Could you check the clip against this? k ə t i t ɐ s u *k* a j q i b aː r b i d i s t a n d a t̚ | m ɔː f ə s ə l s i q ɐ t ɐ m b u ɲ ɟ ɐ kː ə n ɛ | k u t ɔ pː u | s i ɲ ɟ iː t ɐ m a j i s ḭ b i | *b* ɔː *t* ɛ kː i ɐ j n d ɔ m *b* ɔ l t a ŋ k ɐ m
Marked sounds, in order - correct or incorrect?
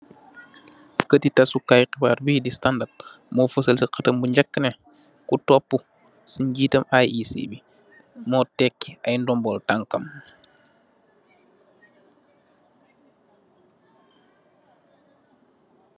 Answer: correct, incorrect, correct, correct

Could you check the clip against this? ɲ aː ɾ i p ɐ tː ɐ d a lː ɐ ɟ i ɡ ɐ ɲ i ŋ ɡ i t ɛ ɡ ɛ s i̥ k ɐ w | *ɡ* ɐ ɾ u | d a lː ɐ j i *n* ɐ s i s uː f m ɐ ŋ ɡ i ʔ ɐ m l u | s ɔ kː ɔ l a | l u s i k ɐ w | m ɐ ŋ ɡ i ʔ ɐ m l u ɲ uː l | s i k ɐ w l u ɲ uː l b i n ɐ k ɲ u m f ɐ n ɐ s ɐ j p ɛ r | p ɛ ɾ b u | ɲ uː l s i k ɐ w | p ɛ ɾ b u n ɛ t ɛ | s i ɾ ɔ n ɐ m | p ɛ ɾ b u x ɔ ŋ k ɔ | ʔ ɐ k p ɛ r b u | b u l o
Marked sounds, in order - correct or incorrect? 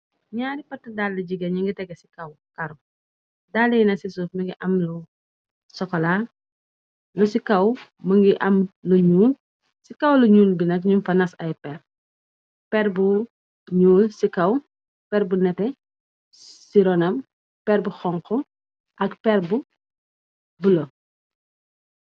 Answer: incorrect, correct

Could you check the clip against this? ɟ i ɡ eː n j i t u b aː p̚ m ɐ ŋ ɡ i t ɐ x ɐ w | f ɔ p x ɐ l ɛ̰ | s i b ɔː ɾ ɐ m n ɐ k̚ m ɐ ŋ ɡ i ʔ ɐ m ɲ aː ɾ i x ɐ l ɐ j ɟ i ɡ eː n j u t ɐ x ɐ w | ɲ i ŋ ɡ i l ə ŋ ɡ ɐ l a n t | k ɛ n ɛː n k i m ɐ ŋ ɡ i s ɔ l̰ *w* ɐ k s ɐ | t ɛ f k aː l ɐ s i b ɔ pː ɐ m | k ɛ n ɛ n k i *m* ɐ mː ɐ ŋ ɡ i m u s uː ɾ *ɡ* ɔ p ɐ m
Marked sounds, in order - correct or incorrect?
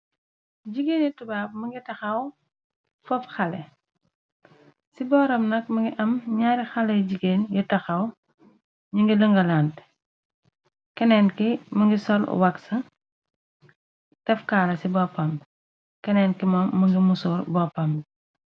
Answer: correct, correct, incorrect

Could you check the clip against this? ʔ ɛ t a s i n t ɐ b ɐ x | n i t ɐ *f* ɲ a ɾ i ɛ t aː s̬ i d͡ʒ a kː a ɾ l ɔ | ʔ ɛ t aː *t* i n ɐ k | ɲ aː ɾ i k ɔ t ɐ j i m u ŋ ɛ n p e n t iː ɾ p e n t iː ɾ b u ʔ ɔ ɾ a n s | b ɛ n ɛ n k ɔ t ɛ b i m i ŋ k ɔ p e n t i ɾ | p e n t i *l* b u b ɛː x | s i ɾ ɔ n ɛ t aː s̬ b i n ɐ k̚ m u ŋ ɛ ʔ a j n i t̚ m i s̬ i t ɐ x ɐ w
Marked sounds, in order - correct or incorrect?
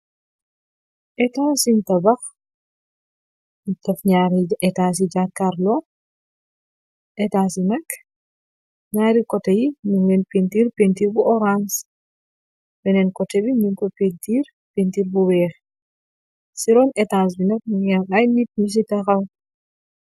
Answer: correct, incorrect, incorrect

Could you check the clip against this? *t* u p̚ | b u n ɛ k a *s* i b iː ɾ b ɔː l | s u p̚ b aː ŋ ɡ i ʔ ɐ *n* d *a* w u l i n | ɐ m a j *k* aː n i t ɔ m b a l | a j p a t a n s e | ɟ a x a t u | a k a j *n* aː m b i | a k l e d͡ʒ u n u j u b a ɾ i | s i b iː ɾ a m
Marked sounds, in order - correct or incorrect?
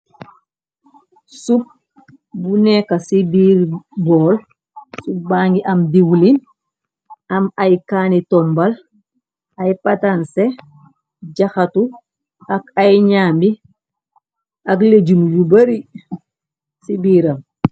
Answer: incorrect, correct, incorrect, incorrect, correct, incorrect

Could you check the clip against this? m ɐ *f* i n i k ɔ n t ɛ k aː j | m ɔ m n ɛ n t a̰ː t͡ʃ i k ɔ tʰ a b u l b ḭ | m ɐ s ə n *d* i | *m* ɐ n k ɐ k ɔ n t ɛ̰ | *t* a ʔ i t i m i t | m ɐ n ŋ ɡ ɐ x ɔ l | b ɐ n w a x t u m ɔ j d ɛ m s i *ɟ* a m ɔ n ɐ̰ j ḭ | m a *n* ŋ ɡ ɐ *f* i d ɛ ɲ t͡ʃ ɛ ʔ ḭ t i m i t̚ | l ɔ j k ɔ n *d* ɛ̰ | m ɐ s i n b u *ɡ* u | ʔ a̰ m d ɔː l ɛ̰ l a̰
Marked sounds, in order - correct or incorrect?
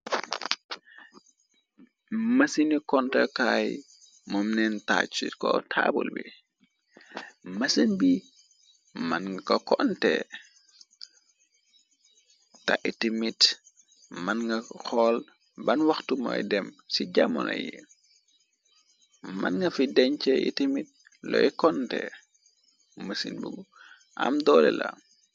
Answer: incorrect, incorrect, correct, correct, correct, correct, correct, incorrect, correct

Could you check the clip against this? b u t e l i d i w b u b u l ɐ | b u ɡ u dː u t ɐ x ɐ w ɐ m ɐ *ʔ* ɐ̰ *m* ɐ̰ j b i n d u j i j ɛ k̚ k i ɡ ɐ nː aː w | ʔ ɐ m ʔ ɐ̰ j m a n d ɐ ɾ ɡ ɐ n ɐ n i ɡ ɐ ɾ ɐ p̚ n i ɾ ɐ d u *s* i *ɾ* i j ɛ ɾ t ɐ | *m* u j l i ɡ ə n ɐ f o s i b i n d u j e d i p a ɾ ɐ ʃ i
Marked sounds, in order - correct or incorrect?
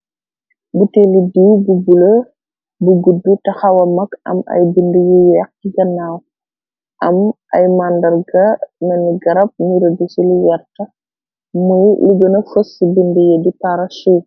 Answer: incorrect, correct, correct, incorrect, correct

